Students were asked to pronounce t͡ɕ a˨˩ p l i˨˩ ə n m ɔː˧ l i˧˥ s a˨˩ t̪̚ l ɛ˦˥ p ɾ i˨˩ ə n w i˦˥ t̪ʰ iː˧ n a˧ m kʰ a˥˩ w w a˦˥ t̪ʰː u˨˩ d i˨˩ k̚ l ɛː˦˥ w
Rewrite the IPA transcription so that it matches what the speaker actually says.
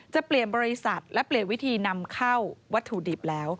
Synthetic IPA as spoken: t͡ɕ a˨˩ p l i˨˩ ə n b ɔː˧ ɾ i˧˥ s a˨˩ t̪̚ l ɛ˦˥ p l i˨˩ ə n w i˦˥ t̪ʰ iː˧ n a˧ m kʰ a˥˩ w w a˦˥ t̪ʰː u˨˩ d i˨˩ p̚ l ɛː˦˥ w

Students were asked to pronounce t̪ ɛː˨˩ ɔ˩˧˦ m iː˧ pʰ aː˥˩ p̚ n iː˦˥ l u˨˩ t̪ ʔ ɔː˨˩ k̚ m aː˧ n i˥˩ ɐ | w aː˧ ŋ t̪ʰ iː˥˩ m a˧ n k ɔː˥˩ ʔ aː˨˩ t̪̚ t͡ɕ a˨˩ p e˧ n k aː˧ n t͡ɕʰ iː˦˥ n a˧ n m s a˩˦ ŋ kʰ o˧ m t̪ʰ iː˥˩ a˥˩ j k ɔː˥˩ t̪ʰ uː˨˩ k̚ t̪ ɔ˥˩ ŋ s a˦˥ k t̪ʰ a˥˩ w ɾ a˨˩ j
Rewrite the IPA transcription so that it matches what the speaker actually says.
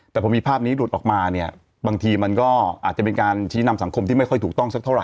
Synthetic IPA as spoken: t̪ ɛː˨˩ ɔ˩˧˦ m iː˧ pʰ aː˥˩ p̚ n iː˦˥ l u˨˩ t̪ ʔ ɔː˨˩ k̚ m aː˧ n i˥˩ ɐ | b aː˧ ŋ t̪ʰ iː˧ m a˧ n k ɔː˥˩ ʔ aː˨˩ t̪̚ t͡ɕ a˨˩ p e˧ n k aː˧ n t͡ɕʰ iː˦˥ n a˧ m s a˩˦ ŋ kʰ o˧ m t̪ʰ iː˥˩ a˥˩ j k ɔ˥˩ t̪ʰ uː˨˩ k̚ t̪ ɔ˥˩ ŋ s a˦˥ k t̪ʰ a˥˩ w ɾ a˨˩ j

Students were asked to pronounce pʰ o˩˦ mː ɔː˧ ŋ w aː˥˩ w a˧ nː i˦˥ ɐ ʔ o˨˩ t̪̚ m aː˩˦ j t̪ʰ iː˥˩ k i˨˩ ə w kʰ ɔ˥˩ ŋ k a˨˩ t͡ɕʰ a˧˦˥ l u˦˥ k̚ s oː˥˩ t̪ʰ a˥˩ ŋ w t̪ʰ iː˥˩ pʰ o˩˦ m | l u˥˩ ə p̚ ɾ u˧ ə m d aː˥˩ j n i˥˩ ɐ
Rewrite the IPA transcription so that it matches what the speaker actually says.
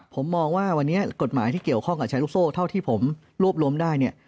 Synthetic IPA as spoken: pʰ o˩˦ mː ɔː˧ ŋ w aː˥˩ w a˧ nː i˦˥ ɐ k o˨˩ t̪̚ m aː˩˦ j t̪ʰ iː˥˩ k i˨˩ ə w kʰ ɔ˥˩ ŋ k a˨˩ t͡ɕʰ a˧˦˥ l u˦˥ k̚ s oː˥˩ t̪ʰ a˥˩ w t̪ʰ iː˥˩ pʰ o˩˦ m | ɾ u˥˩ ə p̚ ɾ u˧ ə m d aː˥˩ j n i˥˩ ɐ

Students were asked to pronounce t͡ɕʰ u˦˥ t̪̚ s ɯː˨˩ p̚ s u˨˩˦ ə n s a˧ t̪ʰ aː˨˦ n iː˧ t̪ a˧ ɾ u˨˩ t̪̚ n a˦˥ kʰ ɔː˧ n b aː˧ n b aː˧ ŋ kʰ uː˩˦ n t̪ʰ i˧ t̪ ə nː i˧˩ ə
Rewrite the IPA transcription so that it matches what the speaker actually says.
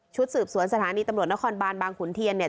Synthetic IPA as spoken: t͡ɕʰ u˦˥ t̪̚ s ɯː˨˩ p̚ s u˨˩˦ ə n s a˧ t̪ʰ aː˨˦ n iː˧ t̪ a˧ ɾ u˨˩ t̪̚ n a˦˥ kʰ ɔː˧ n b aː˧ n b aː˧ ŋ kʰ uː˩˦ n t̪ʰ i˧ ə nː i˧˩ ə

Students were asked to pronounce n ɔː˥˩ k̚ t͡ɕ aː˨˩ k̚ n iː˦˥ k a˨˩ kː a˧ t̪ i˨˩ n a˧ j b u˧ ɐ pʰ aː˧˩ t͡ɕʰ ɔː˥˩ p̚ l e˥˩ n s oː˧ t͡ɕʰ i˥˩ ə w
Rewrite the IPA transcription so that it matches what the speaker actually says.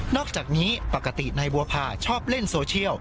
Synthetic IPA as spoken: n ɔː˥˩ k̚ t͡ɕ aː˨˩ k̚ n iː˦˥ p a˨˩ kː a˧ t̪ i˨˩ n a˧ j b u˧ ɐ pʰ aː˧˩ t͡ɕʰ ɔː˥˩ p̚ l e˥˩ n s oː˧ t͡ɕʰ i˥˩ ə w

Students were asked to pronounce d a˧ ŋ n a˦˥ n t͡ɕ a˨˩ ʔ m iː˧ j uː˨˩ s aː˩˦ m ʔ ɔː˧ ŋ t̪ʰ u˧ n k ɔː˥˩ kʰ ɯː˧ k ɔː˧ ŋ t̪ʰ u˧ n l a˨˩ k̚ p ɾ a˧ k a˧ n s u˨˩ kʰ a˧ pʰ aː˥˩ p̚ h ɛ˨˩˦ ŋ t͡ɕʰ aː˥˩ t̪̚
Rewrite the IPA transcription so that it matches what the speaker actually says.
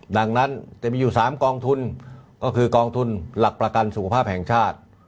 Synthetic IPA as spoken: d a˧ ŋ n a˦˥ n t͡ɕ a˨˩ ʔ m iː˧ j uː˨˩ s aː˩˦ m k ɔː˧ ŋ t̪ʰ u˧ n k ɔː˥˩ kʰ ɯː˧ k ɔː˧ ŋ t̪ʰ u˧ n l a˨˩ k̚ p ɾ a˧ k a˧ n s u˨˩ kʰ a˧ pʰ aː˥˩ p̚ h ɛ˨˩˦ ŋ t͡ɕʰ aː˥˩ t̪̚

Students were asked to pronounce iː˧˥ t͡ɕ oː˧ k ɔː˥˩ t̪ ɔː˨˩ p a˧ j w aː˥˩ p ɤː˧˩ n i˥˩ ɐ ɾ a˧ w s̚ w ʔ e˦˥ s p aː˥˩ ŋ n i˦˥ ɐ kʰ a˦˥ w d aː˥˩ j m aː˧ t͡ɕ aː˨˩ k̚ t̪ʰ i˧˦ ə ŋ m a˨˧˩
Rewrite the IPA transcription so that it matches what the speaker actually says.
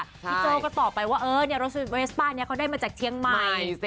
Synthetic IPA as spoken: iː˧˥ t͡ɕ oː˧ k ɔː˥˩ t̪ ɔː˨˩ p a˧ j w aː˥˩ ʔ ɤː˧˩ n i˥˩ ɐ ɾ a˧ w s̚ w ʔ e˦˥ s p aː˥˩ n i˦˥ ɐ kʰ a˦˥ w d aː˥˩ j m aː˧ t͡ɕ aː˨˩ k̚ t̪ʰ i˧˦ ə ŋ m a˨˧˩

